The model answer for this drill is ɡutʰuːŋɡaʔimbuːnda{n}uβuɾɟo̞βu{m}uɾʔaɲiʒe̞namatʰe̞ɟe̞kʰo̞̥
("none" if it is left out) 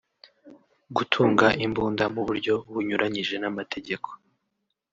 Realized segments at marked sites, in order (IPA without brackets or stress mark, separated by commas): m, ɲ